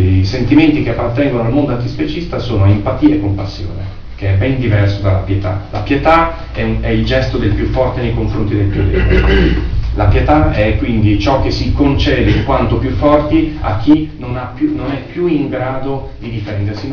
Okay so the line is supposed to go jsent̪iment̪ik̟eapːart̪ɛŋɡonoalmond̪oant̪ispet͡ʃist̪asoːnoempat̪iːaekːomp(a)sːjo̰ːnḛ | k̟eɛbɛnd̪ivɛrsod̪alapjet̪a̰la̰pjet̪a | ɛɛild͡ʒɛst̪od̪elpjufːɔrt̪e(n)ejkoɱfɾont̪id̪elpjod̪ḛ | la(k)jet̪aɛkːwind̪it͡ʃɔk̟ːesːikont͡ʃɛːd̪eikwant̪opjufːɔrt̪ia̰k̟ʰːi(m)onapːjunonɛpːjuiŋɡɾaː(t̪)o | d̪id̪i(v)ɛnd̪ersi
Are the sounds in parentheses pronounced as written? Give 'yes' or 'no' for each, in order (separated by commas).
yes, yes, no, no, no, no